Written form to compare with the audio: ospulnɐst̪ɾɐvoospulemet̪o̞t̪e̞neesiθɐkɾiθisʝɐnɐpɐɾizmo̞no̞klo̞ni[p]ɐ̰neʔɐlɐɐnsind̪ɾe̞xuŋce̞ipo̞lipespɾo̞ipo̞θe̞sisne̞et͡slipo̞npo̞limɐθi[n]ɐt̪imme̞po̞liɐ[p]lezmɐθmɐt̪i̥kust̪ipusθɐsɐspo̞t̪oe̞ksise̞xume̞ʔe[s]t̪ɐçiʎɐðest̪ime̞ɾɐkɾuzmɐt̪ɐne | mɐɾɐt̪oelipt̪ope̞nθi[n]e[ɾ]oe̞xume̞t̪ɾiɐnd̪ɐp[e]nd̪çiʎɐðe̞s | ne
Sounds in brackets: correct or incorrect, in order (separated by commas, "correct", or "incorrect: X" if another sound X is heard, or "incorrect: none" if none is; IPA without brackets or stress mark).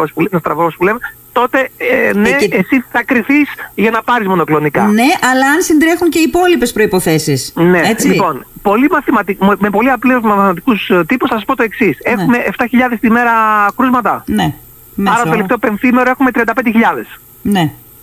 incorrect: k, incorrect: m, correct, incorrect: f, incorrect: m, correct, correct